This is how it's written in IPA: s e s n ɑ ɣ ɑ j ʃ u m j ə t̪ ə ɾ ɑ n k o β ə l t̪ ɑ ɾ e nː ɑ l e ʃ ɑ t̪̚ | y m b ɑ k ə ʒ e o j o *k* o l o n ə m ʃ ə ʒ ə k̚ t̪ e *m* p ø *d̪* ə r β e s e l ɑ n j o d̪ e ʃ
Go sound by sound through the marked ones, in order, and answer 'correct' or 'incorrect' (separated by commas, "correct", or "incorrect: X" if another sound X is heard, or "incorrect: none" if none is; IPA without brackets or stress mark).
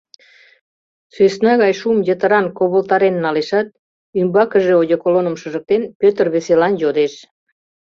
correct, incorrect: n, incorrect: t̪